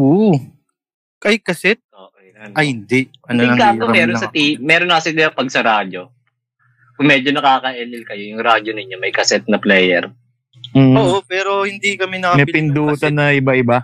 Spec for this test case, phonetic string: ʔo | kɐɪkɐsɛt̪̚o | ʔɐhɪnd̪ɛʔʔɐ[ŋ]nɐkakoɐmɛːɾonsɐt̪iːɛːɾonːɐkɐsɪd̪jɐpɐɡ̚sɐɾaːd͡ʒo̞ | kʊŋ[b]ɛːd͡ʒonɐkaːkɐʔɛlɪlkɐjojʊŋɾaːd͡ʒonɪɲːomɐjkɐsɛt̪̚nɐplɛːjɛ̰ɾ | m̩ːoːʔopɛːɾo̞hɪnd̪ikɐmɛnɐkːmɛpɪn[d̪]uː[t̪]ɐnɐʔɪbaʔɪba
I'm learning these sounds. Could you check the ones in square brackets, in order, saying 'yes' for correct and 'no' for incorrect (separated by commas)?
no, no, yes, yes